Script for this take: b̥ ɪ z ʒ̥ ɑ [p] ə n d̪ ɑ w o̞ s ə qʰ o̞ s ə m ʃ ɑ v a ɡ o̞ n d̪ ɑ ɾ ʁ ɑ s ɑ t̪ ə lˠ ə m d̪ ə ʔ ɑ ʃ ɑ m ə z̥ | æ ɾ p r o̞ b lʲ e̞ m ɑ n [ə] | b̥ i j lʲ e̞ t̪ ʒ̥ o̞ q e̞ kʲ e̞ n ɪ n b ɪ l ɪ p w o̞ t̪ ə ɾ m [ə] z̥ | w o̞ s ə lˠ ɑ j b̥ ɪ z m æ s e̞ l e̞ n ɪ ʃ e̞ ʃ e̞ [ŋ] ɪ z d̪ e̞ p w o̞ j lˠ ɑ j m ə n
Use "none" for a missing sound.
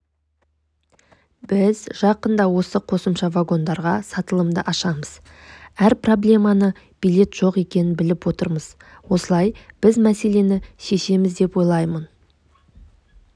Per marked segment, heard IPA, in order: q, ə, ə, m

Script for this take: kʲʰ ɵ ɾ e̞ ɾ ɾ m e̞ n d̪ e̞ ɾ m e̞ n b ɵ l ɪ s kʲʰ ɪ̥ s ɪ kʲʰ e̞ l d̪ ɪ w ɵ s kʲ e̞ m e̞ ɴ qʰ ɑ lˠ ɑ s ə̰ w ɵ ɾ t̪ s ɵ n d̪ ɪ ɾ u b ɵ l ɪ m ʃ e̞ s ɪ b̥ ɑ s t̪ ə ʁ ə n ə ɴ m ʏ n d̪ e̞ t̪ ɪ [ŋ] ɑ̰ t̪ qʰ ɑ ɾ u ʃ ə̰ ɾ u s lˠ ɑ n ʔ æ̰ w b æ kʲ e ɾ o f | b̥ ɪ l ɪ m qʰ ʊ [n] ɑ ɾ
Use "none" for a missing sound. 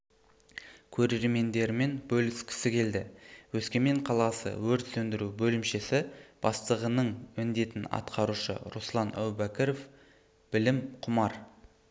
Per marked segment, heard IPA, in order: n, m

